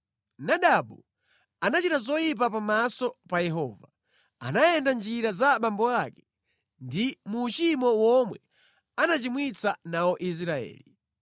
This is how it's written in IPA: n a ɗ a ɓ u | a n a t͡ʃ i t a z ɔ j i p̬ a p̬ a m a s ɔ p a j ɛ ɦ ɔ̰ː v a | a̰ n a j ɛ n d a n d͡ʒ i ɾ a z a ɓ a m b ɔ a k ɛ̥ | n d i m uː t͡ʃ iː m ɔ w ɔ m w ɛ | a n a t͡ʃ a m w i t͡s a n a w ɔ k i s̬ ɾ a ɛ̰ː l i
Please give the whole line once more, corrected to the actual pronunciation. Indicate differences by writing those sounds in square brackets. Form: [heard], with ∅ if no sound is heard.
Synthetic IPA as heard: n a ɗ a ɓ u | a n a t͡ʃ i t a z ɔ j i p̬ a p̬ a m a s ɔ p a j ɛ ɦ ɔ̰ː v a | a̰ n a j ɛ n d a n d͡ʒ i ɾ a z a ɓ a m b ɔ a k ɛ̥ | n d i m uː t͡ʃ [i] m ɔ w ɔ m w ɛ | a n a t͡ʃ [i] m w i t͡s a n a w ɔ [ʔ] i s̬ ɾ a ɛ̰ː l i